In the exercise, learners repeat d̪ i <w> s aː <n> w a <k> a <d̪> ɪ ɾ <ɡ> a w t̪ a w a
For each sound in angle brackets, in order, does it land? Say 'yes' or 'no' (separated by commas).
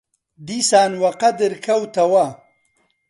no, yes, no, yes, no